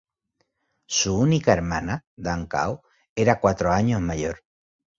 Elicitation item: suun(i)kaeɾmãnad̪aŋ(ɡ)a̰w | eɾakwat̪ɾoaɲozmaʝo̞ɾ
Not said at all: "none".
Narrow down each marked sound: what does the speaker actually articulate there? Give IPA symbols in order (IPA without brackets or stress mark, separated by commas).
i, k